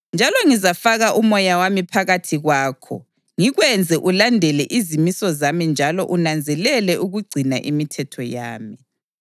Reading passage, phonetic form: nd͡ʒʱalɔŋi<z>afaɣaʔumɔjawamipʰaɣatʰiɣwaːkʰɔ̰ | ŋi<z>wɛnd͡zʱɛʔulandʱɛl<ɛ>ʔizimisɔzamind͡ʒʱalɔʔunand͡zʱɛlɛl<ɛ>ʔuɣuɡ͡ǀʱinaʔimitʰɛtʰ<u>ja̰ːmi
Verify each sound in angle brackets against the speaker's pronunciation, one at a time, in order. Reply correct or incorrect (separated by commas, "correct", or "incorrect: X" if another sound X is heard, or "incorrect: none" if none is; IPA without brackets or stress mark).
correct, incorrect: ɣ, correct, correct, incorrect: ɔ